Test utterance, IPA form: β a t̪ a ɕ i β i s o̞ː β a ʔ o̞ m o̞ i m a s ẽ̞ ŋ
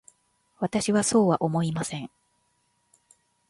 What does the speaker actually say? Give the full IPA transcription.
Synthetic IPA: β a t̪ a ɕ i β a s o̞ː β a ʔ o̞ m o̞ i m a s ẽ̞ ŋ